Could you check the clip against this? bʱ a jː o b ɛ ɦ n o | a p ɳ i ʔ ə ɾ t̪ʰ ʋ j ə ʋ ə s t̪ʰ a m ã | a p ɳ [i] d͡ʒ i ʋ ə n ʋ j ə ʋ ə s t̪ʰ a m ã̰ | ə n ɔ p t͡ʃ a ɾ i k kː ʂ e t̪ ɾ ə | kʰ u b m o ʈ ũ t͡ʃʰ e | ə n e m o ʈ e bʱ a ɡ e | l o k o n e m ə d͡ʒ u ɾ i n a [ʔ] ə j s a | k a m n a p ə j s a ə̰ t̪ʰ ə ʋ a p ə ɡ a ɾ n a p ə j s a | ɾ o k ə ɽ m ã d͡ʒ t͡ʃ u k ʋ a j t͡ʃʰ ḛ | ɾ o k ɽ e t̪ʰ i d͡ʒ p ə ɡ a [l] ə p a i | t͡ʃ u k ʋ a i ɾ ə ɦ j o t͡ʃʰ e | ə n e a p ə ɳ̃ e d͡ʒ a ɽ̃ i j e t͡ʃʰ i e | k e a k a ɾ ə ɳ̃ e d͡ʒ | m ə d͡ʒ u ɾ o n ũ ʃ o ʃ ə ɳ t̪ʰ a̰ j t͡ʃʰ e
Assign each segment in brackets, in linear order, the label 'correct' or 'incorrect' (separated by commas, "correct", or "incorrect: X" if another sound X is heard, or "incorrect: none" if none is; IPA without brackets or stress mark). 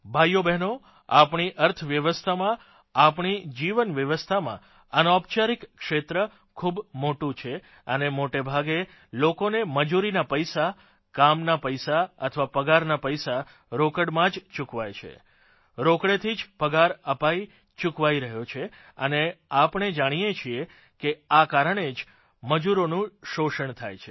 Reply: correct, incorrect: p, incorrect: ɾ